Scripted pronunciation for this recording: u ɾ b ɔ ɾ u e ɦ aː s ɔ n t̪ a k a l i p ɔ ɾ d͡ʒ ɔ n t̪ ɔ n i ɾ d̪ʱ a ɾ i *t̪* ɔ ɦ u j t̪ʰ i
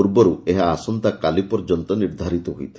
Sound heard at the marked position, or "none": t̪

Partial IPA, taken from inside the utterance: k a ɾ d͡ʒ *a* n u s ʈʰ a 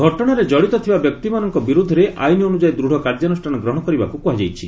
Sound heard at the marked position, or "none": a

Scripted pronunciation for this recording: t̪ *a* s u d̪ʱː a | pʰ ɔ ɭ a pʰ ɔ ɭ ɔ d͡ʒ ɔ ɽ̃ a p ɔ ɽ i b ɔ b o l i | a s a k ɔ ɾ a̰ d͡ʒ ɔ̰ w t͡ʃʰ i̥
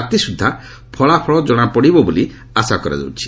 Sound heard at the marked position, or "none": i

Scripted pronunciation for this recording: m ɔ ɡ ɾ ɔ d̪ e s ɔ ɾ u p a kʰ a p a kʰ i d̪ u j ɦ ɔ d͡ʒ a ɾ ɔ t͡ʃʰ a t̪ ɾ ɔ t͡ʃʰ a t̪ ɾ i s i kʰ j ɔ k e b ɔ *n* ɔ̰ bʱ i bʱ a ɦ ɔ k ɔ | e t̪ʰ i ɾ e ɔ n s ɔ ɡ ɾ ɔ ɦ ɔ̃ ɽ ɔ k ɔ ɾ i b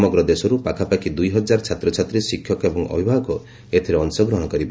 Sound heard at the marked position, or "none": ŋ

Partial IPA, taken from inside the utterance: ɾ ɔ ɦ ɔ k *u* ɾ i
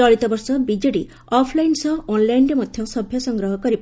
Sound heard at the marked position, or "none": ɔ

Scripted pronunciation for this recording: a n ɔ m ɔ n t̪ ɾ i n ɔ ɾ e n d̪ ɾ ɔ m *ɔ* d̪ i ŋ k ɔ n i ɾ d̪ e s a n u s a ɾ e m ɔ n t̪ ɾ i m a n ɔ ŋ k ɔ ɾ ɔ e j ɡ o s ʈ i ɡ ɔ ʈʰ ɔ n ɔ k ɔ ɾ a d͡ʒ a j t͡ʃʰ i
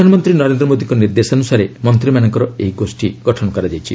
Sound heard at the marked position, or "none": o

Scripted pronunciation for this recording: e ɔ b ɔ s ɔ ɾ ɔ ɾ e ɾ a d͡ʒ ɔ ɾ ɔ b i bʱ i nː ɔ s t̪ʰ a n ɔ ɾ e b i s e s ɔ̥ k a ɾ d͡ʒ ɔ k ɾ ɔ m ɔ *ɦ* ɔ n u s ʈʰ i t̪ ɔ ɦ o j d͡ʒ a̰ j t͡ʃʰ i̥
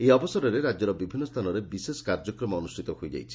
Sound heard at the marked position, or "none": none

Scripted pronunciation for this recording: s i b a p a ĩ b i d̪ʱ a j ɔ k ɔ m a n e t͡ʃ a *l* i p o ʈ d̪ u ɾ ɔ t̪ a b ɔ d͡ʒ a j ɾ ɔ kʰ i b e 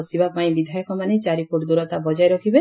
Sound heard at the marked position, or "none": ɾ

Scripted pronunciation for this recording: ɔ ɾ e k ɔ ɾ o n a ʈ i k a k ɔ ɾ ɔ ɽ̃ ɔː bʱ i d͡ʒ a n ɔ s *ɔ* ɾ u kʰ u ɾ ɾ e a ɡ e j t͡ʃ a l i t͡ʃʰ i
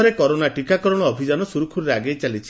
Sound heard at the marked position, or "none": u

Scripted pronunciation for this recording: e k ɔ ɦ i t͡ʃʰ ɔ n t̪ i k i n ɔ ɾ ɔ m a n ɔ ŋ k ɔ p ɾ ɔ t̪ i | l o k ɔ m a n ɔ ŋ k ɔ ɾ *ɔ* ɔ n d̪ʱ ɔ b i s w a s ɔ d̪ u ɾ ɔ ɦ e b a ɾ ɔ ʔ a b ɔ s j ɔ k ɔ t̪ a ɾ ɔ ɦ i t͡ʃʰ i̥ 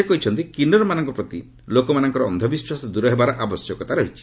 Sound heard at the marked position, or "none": ɔ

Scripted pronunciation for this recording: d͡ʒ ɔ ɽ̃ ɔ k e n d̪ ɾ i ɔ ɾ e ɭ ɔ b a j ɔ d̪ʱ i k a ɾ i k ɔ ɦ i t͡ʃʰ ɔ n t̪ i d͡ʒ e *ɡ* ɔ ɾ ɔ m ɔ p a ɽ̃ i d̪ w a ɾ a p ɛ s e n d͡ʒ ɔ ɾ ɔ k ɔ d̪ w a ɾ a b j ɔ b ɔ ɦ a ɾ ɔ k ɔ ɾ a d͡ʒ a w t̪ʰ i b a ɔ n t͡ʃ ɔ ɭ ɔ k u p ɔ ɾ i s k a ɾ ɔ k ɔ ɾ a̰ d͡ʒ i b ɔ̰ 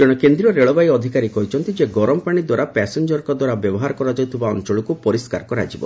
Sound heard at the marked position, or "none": ɡ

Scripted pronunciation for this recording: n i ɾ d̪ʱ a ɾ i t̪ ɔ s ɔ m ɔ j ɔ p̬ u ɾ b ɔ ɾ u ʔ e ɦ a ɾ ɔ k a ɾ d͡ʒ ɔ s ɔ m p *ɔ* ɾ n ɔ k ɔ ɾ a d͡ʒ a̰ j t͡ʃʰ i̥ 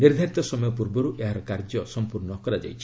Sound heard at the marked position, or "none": u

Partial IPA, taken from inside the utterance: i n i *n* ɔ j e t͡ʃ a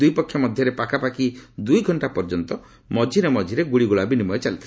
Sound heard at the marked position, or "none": m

